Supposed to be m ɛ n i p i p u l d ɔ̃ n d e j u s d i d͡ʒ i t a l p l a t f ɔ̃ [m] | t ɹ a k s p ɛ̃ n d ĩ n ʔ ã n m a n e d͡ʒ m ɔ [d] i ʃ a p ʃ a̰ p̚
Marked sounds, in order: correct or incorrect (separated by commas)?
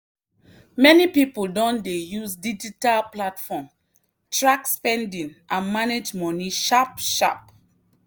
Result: correct, incorrect